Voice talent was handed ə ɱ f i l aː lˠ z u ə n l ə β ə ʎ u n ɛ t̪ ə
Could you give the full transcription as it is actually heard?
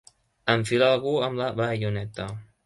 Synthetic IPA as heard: ə ɱ f i l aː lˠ ɣ u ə m l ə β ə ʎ u n ɛ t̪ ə